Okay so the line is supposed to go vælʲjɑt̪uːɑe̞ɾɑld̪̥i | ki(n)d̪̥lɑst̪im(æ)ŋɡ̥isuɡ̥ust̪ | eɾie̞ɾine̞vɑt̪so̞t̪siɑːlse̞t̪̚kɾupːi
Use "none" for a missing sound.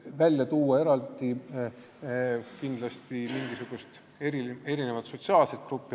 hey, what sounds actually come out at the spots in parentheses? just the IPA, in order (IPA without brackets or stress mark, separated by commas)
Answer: n, i